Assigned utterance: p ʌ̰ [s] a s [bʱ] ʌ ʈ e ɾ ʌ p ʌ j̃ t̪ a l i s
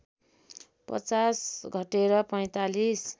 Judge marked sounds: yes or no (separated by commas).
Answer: no, no